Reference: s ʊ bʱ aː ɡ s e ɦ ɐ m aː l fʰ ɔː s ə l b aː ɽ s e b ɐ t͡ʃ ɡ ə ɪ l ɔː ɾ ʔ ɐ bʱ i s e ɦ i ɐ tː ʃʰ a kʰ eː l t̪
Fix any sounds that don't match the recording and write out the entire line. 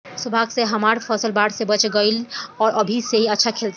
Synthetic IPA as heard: s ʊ bʱ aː ɡ s e ɦ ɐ m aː ɾ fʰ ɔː s ə l b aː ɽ s e b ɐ t͡ʃ ɡ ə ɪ l ɔː ɾ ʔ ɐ bʱ i s e ɦ i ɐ tː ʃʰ a kʰ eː l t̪